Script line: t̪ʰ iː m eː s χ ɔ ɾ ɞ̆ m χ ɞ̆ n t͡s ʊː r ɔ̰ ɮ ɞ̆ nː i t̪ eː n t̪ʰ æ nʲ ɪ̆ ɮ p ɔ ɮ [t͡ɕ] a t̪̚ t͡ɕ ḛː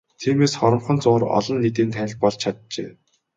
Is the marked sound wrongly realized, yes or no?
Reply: yes